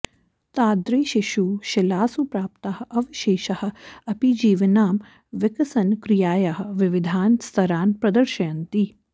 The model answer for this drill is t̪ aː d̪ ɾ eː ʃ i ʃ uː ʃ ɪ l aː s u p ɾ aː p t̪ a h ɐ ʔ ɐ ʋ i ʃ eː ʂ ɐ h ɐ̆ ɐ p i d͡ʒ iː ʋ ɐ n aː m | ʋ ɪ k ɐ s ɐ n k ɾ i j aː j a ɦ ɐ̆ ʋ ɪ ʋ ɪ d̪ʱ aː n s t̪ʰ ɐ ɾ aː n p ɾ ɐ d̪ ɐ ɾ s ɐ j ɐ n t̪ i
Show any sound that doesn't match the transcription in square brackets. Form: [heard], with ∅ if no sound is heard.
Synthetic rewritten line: t̪ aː d̪ ɾ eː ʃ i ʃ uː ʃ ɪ l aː s u p ɾ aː p t̪ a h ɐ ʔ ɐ ʋ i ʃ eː [ʃ] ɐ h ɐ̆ ɐ p i d͡ʒ iː ʋ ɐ n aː m | ʋ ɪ k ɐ s ɐ n k ɾ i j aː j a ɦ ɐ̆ ʋ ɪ ʋ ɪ d̪ʱ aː n s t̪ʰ ɐ ɾ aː n p ɾ ɐ d̪ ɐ ɾ [ʃ] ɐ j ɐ n t̪ i

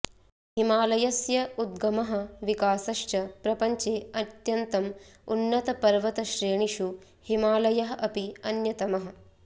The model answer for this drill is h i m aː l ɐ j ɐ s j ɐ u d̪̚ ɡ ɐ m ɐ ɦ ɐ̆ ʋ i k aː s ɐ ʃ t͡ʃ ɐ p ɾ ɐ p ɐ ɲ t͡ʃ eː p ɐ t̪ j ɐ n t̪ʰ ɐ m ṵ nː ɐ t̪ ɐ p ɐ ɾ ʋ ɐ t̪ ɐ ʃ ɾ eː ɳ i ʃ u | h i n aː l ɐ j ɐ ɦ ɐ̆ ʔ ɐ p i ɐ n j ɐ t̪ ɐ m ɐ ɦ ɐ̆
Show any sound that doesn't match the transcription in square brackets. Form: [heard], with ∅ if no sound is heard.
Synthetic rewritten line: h i m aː l ɐ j ɐ s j ɐ u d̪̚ ɡ ɐ m ɐ ɦ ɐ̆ ʋ i k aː s ɐ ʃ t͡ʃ ɐ p ɾ ɐ p ɐ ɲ t͡ʃ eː [∅] ɐ t̪ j ɐ n [t̪] ɐ m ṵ nː ɐ t̪ ɐ p ɐ ɾ ʋ ɐ t̪ ɐ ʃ ɾ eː ɳ i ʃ u | h i [m] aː l ɐ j ɐ ɦ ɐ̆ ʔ ɐ p i ɐ n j ɐ t̪ ɐ m ɐ ɦ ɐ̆

